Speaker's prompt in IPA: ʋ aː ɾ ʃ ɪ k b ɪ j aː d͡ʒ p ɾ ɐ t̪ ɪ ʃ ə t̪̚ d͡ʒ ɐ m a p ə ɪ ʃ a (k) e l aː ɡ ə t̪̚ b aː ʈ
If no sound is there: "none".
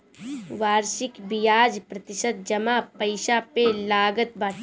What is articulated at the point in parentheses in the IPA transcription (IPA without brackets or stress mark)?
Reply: p